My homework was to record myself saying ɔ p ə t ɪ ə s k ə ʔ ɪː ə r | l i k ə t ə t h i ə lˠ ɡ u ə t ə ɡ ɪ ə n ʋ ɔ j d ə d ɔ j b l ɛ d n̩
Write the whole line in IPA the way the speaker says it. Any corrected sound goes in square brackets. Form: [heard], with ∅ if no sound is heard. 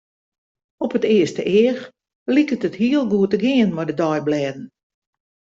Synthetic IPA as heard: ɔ p ə t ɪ ə s [t] ə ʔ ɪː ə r | l i k ə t ə t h i ə lˠ ɡ u ə t ə ɡ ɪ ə n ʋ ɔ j d ə d ɔ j b l ɛ d n̩